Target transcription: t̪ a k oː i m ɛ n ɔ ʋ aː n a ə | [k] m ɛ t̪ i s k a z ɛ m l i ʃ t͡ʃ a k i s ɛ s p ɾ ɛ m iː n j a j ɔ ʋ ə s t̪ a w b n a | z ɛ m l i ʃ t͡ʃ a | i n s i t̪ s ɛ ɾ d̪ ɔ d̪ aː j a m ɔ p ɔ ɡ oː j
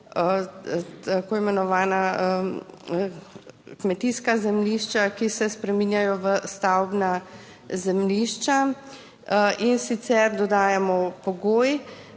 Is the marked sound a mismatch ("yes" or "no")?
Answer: no